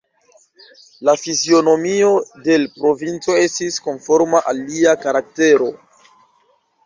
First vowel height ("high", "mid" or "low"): low